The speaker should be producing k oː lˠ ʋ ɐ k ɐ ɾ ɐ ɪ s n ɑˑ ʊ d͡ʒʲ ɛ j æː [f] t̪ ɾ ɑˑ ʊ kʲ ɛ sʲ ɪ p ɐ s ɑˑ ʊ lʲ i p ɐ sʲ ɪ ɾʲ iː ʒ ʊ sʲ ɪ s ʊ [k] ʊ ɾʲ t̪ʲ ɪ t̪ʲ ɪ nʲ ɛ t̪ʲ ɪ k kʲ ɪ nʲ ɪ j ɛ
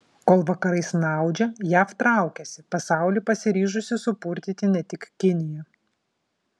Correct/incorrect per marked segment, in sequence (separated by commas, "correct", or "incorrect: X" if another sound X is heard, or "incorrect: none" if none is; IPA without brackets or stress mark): correct, incorrect: p